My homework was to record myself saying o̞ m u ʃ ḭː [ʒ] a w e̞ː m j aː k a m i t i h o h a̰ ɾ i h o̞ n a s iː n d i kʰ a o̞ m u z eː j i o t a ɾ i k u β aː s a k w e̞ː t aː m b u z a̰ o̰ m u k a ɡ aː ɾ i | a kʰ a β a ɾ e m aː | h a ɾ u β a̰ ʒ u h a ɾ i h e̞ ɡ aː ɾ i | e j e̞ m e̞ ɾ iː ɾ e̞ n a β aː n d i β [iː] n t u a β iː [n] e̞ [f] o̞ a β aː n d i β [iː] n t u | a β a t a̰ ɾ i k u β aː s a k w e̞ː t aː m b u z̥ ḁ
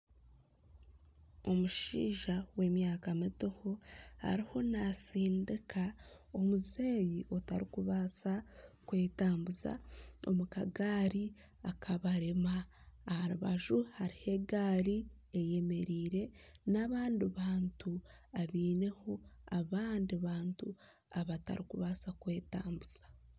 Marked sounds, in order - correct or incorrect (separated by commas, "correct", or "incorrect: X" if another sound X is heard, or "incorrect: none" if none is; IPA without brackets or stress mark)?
correct, incorrect: aː, correct, incorrect: h, incorrect: aː